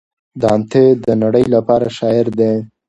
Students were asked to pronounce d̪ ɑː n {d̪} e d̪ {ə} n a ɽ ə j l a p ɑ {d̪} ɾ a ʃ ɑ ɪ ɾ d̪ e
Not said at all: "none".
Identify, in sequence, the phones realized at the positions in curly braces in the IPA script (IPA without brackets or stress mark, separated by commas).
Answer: t̪, ə, none